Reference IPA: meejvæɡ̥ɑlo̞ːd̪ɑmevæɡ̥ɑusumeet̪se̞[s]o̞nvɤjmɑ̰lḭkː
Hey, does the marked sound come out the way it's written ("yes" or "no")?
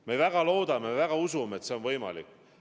no